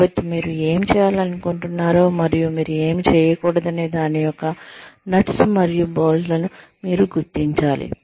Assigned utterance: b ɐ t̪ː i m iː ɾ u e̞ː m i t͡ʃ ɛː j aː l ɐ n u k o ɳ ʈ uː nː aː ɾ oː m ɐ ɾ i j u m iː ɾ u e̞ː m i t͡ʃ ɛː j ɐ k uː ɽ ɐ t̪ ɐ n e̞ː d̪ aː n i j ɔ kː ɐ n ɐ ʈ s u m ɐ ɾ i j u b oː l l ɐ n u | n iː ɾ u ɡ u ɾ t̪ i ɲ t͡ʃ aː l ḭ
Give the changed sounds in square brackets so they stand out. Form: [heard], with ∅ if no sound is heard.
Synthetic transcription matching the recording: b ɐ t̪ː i m iː ɾ u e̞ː m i t͡ʃ ɛː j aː l ɐ n u k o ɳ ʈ [u] nː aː ɾ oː m ɐ ɾ i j u m iː ɾ u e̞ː m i t͡ʃ ɛː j ɐ k uː ɽ ɐ [d̪] ɐ n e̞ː d̪ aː n i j ɔ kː ɐ n ɐ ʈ s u m ɐ ɾ i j u b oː l l ɐ n u | [m] iː ɾ u ɡ u ɾ t̪ i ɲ t͡ʃ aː l ḭ